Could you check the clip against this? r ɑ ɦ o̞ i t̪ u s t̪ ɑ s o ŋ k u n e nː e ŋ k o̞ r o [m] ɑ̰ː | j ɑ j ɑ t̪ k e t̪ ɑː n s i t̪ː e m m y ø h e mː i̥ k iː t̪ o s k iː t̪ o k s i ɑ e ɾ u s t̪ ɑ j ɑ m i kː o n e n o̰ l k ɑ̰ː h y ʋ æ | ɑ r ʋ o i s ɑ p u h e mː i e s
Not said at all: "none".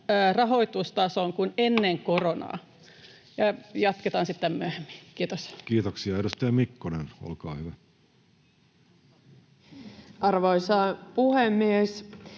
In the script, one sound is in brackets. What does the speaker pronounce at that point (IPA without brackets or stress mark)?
n